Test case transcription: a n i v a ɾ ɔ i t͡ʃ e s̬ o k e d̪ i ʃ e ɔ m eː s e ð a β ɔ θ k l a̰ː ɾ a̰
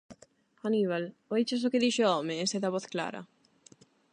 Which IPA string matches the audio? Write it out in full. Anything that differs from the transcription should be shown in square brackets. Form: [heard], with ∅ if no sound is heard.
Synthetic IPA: a n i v a [l] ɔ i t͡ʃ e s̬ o k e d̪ i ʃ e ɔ m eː s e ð a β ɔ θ k l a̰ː ɾ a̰